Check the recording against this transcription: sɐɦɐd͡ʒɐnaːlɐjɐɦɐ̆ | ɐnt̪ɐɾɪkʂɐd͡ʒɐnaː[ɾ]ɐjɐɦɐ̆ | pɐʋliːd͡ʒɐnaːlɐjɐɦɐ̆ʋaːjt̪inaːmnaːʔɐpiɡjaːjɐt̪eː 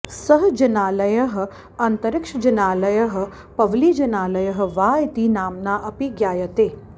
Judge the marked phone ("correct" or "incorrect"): incorrect